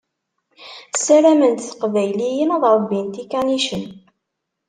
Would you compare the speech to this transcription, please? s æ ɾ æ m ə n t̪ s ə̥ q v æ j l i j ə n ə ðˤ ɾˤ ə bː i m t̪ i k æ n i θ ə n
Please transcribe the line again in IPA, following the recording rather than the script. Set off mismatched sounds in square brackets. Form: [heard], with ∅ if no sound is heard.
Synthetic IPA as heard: s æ ɾ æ m ə n t̪ [θ] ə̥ q v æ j l i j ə n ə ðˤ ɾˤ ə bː i [n] t̪ i k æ n i [ʃ] ə n